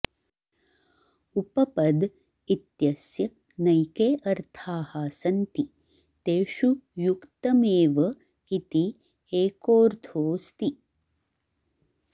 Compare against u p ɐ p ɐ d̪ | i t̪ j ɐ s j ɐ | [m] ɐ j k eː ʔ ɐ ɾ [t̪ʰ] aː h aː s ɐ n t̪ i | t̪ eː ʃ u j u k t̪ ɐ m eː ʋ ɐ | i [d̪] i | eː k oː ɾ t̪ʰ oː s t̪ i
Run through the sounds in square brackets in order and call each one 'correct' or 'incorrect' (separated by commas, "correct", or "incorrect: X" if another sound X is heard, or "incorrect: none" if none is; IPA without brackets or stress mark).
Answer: incorrect: n, correct, incorrect: t̪